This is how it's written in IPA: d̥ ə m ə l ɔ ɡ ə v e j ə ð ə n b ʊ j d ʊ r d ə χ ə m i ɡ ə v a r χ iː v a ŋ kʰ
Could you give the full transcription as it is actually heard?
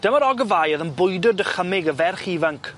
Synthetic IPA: d̥ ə m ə ɾ ɔ ɡ ə v a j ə ð ə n b ʊ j d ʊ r d ə χ ə m ɪ ɡ ə v ɛ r χ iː v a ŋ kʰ

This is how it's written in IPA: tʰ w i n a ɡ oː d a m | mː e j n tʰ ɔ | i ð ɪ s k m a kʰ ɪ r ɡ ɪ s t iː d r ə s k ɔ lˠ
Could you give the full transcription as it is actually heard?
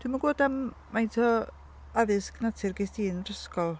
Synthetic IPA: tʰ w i m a ɡ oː d a m | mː a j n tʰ ɔ | a ð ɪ s k n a tʰ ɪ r ɡ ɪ s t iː n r ə s k ɔ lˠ

